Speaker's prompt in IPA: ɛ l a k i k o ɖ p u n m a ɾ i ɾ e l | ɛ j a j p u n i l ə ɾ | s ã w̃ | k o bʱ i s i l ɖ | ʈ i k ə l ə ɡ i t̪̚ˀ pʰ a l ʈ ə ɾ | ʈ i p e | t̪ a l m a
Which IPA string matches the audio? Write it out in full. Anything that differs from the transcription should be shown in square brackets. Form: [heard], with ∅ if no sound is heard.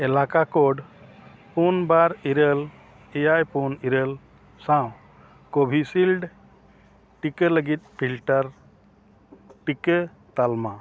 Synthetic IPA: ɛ l a k [a] k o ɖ p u n [b] a ɾ i ɾ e l | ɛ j a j p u n i [ɾ] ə [l] | s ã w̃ | k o bʱ i s i l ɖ | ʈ i k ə l ə ɡ i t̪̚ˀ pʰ [i] l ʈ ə ɾ | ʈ i [k] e | t̪ a l m a